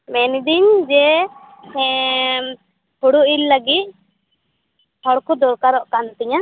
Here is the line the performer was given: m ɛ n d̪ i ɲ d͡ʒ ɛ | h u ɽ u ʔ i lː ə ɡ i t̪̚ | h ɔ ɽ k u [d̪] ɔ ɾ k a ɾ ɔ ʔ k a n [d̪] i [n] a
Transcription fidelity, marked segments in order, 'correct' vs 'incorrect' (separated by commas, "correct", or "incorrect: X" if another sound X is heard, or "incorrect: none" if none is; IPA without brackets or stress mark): correct, incorrect: t̪, incorrect: ɲ